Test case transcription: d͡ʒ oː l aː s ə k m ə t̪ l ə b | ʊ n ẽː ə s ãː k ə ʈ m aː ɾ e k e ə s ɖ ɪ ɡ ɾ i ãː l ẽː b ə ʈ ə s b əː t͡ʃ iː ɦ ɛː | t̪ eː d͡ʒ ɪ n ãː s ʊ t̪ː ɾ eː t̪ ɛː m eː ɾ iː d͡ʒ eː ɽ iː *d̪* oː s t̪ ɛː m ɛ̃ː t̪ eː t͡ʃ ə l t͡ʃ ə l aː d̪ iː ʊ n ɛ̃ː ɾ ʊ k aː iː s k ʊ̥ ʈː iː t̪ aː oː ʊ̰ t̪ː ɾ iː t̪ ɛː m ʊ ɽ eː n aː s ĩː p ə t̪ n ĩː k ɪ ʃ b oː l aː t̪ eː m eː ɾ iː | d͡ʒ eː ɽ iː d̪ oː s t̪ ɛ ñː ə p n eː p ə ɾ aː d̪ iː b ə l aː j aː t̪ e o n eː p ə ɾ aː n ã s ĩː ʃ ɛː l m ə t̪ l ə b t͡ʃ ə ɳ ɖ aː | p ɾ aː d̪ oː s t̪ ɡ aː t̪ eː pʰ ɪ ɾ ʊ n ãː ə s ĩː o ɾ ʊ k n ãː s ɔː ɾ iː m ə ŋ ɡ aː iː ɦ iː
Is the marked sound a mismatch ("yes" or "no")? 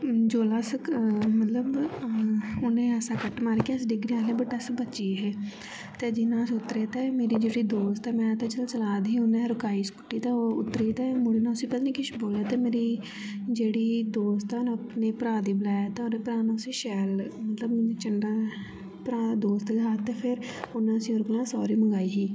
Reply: no